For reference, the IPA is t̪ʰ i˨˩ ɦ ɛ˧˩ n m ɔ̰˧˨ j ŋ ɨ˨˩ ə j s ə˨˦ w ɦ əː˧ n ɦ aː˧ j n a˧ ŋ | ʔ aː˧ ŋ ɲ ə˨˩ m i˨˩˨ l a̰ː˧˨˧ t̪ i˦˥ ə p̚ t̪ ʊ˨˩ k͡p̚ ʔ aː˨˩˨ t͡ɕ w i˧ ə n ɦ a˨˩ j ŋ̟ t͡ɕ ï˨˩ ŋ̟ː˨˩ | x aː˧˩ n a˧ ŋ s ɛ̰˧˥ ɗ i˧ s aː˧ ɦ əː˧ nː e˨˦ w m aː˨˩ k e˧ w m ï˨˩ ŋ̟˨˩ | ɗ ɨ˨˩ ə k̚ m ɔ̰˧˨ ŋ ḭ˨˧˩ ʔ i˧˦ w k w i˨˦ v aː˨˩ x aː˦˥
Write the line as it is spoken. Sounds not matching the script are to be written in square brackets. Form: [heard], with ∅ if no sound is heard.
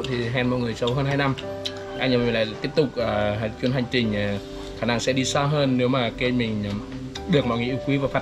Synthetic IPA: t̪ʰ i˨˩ ɦ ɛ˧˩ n m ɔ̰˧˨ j ŋ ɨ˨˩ ə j s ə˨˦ w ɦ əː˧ n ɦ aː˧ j n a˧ [m] | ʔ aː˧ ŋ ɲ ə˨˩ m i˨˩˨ l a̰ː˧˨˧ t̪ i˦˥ ə p̚ t̪ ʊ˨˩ k͡p̚ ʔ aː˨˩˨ t͡ɕ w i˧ ə n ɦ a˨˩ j ŋ̟ t͡ɕ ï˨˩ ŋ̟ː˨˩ | x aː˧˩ n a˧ ŋ s ɛ̰˧˥ ɗ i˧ s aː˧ ɦ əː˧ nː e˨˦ w m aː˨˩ k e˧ [∅] m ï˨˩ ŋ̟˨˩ | ɗ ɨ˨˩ ə k̚ m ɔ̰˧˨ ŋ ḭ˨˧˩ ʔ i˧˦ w k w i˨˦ v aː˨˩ [f] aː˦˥